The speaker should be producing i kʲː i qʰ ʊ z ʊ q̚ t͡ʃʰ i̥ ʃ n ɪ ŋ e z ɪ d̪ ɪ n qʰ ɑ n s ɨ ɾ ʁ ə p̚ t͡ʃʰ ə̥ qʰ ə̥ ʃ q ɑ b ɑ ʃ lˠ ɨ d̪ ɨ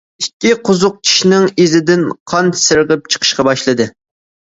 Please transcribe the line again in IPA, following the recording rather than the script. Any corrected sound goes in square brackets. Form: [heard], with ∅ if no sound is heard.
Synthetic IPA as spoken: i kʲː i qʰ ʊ z ʊ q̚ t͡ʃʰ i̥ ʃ n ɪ ŋ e z ɪ d̪ ɪ n qʰ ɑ n s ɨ ɾ ʁ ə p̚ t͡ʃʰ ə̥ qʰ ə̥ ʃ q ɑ b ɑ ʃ lˠ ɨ d̪ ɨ